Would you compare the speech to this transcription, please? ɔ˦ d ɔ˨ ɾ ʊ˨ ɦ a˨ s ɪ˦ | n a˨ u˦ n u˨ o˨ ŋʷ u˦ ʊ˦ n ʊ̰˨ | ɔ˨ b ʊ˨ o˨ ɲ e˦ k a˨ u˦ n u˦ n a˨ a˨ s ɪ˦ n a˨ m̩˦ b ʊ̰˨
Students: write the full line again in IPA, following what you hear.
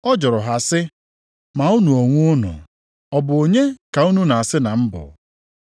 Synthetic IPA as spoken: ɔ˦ d͡ʒ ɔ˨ ɾ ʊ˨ ɦ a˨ s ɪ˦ | m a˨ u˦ n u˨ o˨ ŋʷ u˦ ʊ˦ n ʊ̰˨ | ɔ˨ b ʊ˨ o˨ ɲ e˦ k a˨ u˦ n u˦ n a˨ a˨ s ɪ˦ n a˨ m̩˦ b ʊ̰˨